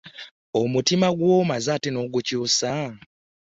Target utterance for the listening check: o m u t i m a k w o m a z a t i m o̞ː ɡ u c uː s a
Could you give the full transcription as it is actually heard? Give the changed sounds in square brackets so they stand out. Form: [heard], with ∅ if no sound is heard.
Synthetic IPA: o m u t i m a [ɡ] w o m a z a t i [n] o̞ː ɡ u c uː s a